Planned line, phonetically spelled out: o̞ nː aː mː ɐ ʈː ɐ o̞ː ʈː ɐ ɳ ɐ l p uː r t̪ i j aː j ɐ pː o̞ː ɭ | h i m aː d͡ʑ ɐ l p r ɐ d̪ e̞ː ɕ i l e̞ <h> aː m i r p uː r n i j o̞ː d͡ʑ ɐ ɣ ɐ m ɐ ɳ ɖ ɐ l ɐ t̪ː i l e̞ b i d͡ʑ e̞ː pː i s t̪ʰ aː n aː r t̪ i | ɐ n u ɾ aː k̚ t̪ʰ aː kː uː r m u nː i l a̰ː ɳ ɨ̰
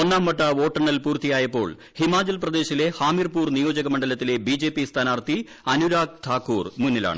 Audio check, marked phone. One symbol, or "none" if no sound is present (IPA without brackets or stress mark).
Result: h